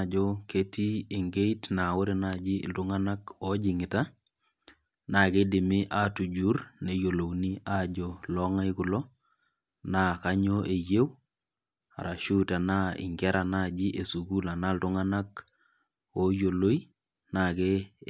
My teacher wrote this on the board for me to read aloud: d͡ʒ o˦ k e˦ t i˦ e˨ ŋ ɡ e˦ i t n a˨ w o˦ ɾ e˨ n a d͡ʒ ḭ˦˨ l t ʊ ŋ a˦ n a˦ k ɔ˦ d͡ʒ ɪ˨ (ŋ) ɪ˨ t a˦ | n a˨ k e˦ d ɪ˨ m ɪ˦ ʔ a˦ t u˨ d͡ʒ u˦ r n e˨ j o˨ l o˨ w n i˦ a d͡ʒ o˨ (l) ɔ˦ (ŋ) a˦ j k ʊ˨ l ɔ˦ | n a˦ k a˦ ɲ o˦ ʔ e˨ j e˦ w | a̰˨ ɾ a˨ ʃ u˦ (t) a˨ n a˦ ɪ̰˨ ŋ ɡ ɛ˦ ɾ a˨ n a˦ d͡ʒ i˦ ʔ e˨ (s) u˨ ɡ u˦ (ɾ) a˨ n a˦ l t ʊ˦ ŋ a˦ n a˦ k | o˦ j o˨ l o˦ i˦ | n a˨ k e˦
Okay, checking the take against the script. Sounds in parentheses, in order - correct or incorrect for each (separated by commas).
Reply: correct, correct, correct, correct, correct, incorrect